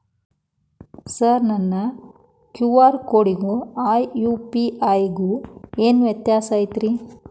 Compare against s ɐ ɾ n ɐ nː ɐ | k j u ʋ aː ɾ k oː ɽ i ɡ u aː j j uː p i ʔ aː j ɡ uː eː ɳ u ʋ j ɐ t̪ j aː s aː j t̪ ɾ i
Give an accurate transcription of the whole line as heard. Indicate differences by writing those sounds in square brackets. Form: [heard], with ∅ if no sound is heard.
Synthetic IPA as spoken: s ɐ ɾ n ɐ nː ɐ | k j u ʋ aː ɾ k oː ɽ i ɡ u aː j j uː p i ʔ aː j ɡ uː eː [n] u ʋ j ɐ t̪ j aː s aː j t̪ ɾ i